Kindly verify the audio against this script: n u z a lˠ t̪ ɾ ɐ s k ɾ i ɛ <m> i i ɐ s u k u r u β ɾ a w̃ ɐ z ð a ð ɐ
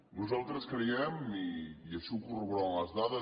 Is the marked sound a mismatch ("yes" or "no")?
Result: no